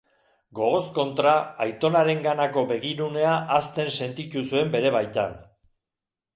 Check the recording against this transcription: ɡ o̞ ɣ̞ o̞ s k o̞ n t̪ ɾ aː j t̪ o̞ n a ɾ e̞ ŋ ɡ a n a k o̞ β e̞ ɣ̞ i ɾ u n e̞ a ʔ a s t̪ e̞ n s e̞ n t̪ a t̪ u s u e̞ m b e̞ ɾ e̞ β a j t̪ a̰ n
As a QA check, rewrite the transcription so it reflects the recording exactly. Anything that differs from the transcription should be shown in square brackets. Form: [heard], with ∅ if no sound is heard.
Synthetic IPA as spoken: ɡ o̞ ɣ̞ o̞ s k o̞ n t̪ ɾ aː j t̪ o̞ n a ɾ e̞ ŋ ɡ a n a k o̞ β e̞ ɣ̞ i ɾ u n e̞ a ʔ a s t̪ e̞ n s e̞ n t̪ [i] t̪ u s u e̞ m b e̞ ɾ e̞ β a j t̪ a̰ n